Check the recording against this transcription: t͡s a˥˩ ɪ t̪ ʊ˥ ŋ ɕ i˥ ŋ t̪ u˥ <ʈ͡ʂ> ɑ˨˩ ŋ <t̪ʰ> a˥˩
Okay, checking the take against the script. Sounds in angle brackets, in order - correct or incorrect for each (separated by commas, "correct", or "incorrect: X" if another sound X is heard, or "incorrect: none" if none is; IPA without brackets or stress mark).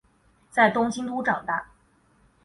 correct, incorrect: t̪